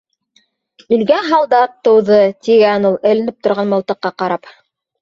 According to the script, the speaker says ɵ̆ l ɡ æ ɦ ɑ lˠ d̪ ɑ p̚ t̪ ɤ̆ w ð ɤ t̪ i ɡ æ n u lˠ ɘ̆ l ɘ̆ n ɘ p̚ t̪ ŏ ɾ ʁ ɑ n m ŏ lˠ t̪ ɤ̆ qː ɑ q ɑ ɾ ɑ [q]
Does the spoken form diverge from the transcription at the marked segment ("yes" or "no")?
yes